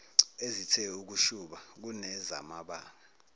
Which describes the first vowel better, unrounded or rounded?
unrounded